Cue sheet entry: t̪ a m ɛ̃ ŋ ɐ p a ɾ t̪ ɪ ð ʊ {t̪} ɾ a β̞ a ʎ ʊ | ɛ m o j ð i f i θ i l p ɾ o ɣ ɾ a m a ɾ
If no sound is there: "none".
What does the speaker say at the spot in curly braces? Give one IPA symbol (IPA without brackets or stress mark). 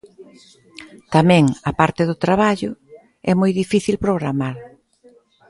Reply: t̪